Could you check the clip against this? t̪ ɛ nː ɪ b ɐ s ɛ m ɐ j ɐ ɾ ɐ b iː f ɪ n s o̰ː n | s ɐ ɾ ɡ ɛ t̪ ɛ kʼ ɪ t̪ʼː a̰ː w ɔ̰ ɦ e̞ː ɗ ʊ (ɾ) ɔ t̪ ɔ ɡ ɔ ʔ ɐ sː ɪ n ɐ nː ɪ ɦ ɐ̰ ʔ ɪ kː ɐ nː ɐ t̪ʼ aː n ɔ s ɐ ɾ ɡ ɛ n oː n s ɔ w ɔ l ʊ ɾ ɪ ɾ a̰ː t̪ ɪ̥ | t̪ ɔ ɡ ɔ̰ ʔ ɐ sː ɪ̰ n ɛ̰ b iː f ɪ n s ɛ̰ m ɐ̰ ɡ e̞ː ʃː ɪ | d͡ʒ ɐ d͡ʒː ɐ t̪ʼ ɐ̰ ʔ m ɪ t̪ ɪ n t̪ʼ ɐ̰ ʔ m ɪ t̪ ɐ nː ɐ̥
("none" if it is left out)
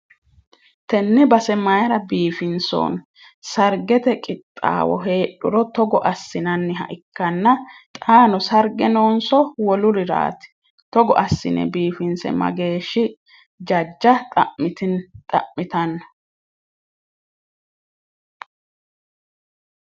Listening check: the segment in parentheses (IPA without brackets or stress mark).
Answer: ɾ